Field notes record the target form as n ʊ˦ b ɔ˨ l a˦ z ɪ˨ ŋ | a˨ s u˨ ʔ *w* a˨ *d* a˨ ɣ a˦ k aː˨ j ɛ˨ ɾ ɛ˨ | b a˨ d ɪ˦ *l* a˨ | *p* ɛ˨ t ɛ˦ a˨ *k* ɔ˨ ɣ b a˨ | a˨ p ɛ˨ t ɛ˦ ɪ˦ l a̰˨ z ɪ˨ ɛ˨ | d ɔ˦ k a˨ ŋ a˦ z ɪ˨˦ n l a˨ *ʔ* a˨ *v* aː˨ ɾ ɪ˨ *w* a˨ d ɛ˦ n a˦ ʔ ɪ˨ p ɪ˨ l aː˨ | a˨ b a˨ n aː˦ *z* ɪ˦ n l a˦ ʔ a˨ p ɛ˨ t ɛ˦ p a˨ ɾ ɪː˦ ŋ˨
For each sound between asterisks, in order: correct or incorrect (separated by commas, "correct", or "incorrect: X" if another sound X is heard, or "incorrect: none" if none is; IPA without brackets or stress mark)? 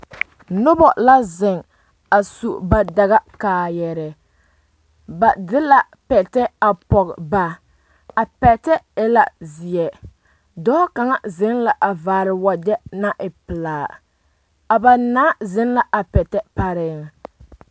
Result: incorrect: b, correct, correct, correct, incorrect: p, correct, correct, correct, correct